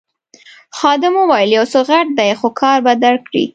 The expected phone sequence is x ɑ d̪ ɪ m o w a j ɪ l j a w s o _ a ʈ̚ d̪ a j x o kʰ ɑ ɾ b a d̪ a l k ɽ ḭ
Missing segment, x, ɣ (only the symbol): ɣ